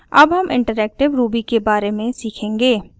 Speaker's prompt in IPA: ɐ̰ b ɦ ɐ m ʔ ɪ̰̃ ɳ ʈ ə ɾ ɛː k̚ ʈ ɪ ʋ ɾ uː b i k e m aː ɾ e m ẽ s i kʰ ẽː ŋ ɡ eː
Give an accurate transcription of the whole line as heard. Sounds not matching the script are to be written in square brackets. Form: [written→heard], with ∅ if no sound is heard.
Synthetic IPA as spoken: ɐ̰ b ɦ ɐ m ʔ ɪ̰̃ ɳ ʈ ə ɾ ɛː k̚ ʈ ɪ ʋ ɾ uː b i k e [m→b] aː ɾ e m ẽ s [i→iː] kʰ ẽː ŋ ɡ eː